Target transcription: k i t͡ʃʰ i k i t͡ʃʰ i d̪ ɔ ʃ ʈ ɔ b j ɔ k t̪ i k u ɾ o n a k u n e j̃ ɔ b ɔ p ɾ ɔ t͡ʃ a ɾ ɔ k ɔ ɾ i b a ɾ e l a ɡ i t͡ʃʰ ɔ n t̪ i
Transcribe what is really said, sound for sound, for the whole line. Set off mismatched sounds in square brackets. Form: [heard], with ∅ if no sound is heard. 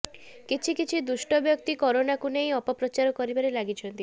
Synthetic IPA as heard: k i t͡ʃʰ i k i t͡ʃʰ i d̪ [u] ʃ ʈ ɔ b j ɔ k t̪ i k [ɔ] ɾ o n a k u n e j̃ ɔ [p] ɔ p ɾ ɔ t͡ʃ a ɾ ɔ k ɔ ɾ i b a ɾ e l a ɡ i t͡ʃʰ ɔ n t̪ i